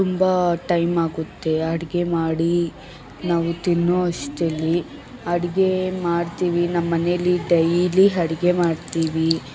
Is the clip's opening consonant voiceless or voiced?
voiceless